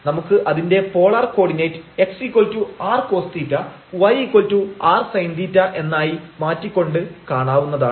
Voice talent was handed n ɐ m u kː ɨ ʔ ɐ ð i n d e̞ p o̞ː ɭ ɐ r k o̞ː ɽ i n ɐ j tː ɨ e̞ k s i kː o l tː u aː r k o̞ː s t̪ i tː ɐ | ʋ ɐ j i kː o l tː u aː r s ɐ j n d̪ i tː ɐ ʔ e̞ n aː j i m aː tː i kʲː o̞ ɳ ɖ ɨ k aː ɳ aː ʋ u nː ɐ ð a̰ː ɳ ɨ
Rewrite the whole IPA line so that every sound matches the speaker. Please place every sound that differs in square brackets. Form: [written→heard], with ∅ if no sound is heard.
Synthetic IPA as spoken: n ɐ m u kː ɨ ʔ ɐ ð i n d e̞ p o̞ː ɭ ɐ r k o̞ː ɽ i n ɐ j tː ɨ e̞ k s i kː o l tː u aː r k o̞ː s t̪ i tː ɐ | ʋ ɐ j i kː o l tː u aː r s ɐ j n d̪ i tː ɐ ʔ e̞ [n→nː] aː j i m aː tː i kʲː o̞ ɳ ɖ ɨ k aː ɳ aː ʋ u nː ɐ ð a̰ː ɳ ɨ